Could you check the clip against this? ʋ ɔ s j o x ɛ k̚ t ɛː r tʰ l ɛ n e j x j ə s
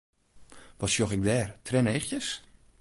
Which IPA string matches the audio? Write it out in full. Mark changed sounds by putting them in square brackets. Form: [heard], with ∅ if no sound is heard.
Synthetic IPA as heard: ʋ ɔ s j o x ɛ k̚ [d] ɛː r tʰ [r] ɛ n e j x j ə s